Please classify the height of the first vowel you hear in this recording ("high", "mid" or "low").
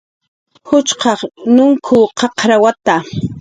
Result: high